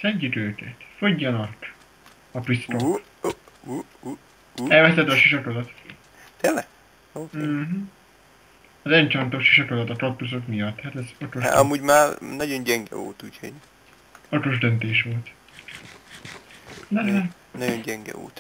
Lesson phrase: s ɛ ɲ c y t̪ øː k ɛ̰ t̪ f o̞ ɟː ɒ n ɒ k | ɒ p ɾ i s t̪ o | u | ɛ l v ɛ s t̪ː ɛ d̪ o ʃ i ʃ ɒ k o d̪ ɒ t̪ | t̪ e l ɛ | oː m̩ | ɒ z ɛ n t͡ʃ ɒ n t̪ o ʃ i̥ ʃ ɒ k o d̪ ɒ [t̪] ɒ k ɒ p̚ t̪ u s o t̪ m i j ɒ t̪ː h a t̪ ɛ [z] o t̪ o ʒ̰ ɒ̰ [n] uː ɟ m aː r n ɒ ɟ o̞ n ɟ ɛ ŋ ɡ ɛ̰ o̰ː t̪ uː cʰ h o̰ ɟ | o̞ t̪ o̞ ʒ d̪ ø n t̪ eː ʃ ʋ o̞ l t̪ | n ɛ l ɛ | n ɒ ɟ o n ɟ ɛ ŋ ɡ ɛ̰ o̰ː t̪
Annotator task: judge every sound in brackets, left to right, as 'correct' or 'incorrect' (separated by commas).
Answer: correct, correct, incorrect